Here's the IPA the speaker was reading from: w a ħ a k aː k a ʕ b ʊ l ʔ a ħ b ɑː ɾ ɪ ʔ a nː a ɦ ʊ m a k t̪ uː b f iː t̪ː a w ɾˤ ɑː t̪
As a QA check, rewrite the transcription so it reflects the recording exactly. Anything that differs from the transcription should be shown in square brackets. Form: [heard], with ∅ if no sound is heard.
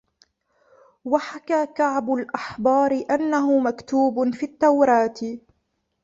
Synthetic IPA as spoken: w a ħ a k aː k a ʕ b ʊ l ʔ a ħ b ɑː ɾ ɪ ʔ a nː a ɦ ʊ m a k t̪ uː b f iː t̪ː a w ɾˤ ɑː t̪